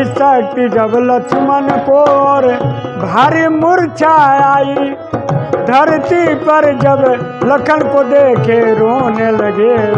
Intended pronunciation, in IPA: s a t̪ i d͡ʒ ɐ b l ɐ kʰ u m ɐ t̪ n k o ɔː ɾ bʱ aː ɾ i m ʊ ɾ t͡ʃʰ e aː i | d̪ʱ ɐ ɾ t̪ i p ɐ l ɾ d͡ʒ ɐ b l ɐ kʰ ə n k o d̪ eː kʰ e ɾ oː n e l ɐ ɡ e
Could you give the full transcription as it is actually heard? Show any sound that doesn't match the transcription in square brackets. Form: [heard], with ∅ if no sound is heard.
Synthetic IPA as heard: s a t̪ i d͡ʒ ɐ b l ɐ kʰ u m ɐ [∅] n k o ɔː ɾ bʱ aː ɾ i m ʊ ɾ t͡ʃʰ [a] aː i | d̪ʱ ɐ ɾ t̪ i p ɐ [∅] ɾ d͡ʒ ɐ b l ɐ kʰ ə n k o d̪ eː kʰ e ɾ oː n e l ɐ ɡ e